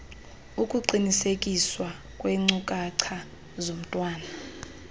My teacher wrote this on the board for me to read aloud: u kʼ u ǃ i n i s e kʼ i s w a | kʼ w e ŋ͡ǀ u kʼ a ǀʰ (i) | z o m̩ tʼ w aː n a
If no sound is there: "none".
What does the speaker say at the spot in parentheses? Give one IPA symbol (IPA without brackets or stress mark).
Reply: a